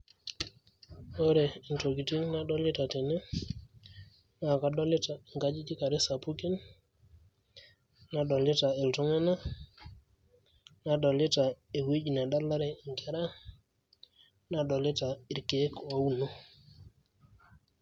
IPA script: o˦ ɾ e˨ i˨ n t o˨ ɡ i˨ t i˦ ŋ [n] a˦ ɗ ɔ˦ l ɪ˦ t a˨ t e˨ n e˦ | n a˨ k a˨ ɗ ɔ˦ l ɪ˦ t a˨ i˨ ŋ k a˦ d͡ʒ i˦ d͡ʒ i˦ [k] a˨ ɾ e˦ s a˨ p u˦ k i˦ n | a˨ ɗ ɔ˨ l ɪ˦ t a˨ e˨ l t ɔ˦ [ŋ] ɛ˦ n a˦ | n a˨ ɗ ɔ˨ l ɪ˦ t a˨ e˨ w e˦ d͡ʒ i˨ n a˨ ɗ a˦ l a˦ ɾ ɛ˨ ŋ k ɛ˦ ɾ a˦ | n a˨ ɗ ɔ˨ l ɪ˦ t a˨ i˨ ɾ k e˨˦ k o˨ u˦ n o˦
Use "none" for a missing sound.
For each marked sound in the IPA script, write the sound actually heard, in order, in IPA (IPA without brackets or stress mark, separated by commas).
n, k, ŋ